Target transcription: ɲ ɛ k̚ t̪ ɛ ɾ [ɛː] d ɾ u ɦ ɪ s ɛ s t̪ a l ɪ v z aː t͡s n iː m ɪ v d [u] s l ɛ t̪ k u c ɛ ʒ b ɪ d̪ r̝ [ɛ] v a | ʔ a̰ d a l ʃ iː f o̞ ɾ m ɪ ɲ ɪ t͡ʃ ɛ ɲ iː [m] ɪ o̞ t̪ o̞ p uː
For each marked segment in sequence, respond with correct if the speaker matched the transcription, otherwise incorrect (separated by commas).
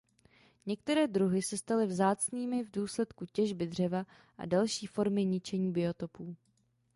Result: correct, incorrect, correct, incorrect